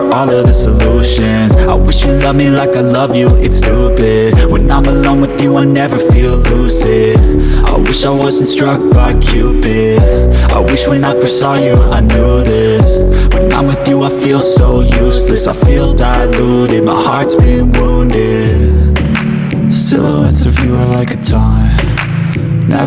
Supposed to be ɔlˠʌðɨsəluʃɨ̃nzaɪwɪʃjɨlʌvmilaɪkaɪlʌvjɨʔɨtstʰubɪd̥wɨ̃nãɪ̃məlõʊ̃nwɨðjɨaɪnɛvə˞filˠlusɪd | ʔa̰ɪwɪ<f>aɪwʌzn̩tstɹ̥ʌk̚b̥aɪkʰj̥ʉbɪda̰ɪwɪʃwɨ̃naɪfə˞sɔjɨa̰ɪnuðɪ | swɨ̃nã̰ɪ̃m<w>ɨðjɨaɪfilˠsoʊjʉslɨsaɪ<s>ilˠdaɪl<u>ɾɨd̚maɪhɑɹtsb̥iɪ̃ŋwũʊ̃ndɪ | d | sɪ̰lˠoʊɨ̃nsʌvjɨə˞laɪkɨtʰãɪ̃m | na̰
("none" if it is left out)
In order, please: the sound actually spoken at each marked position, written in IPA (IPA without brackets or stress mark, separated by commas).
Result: ʃ, w, f, u